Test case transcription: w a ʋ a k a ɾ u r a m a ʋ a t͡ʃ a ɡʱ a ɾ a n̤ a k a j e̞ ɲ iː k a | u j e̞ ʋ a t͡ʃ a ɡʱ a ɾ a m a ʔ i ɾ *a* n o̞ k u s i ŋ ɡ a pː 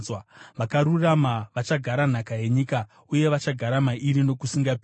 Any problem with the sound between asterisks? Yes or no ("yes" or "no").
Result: yes